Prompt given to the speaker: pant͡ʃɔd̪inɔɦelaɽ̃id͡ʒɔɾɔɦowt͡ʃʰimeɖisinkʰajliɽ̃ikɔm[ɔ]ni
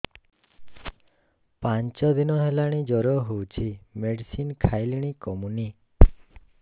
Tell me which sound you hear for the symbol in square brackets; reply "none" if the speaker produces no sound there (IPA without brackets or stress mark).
u